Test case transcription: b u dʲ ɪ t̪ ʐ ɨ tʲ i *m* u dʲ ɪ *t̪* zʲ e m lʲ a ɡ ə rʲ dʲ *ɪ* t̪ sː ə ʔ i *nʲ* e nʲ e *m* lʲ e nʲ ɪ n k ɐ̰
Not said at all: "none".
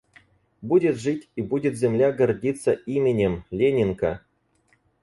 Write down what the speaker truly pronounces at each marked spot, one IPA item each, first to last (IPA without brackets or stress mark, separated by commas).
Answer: b, t̪, i, mʲ, m